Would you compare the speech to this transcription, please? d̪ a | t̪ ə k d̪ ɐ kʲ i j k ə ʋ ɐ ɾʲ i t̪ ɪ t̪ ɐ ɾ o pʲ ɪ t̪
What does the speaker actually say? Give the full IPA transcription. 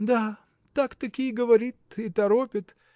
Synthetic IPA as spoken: d̪ a | t̪ a k t̪ ɐ kʲ i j ɡ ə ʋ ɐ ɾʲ i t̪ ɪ t̪ ɐ ɾ o pʲ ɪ t̪